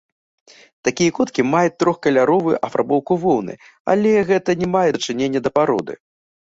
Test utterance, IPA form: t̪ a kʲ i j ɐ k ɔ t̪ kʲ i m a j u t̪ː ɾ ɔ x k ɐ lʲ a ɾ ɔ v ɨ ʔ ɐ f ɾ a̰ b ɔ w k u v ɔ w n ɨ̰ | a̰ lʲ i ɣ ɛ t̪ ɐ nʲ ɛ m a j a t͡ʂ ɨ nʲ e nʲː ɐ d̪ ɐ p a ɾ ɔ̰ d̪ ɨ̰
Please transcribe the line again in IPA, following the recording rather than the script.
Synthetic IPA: t̪ a kʲ i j ɐ k ɔ t̪ kʲ i m a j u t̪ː ɾ ɔ x k ɐ lʲ a ɾ ɔ v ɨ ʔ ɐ f ɾ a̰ b ɔ w k u v ɔ w n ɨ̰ | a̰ lʲ ɛ ɣ ɛ t̪ ɐ nʲ ɛ m a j ɛ t͡ʂ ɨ nʲ e nʲː ɐ d̪ ɐ p a ɾ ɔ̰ d̪ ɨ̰